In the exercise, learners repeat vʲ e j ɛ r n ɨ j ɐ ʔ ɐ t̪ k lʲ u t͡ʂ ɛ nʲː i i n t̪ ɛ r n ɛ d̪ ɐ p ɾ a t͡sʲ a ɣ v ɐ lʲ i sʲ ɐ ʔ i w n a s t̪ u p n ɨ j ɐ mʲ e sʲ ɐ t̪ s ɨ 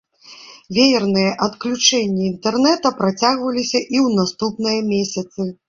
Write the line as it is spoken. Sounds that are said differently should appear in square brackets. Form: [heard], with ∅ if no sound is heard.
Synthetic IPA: vʲ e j ɛ r n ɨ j ɐ ʔ ɐ t̪ k lʲ u t͡ʂ ɛ nʲː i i n t̪ ɛ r n ɛ [t̪] ɐ p ɾ a t͡sʲ a ɣ v ɐ lʲ i sʲ ɐ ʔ i w n a s t̪ u p n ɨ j ɐ mʲ e sʲ ɐ t̪ s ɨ